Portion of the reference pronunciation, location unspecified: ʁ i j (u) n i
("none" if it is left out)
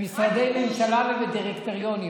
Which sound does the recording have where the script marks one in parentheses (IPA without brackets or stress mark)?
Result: o